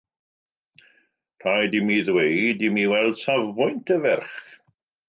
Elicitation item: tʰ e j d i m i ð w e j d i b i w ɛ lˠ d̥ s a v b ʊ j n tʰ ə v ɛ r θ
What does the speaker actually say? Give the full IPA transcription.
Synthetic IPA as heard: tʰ a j d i m i ð w e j d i m i w ɛ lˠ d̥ s a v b ʊ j n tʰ ə v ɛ r χ